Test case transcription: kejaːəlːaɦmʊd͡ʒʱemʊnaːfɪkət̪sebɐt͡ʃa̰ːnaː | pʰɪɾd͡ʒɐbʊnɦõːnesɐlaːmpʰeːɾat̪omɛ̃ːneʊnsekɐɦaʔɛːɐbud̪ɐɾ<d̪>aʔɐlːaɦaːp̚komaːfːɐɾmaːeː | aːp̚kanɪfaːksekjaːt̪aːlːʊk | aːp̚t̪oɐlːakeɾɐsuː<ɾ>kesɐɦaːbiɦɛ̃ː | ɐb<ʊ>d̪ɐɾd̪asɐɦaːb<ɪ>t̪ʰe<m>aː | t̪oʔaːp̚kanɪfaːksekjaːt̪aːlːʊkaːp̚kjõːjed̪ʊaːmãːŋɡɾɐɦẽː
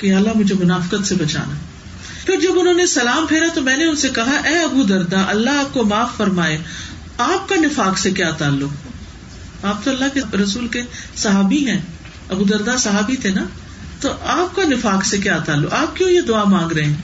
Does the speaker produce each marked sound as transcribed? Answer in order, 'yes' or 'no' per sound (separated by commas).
yes, no, no, no, no